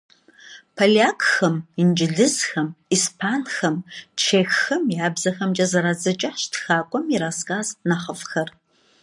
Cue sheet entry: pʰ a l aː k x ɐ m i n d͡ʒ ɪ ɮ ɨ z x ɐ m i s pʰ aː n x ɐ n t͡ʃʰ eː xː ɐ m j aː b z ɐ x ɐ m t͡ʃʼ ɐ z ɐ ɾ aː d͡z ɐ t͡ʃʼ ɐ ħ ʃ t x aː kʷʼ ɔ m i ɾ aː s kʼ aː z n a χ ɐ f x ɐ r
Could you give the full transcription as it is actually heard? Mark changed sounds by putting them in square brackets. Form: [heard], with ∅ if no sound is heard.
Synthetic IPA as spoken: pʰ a l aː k x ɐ m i n d͡ʒ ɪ ɮ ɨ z x ɐ m i s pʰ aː n x ɐ [m] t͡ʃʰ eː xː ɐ m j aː b z ɐ x ɐ m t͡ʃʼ ɐ z ɐ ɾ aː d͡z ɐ t͡ʃʼ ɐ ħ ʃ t x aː kʷʼ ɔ m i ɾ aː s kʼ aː z n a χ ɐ f x ɐ r